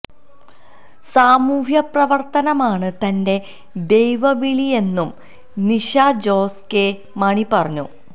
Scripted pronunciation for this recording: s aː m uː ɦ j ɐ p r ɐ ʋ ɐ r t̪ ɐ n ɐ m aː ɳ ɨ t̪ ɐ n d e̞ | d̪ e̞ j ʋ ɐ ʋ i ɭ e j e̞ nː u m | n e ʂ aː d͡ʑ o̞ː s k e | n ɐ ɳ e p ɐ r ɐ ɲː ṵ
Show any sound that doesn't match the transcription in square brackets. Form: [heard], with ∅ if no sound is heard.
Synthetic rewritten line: s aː m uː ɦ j ɐ p r ɐ ʋ ɐ r t̪ ɐ n ɐ m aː ɳ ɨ t̪ ɐ n d e̞ | d̪ e̞ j ʋ ɐ ʋ i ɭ [i] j e̞ nː u m | n [i] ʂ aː d͡ʑ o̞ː s k e | [m] ɐ ɳ [i] p ɐ r ɐ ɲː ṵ